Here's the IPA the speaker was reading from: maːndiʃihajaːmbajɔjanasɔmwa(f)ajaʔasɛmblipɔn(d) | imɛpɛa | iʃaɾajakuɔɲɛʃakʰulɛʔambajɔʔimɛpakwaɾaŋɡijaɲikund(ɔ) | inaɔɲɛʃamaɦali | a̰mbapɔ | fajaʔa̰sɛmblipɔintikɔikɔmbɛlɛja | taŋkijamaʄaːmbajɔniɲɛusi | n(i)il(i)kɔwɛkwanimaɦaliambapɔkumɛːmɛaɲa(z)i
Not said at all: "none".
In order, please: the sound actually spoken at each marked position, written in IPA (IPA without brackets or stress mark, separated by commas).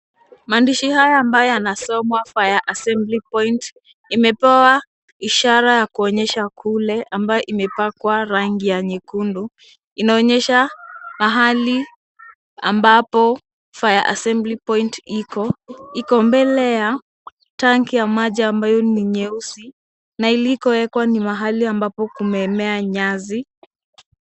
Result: f, t, u, a, i, z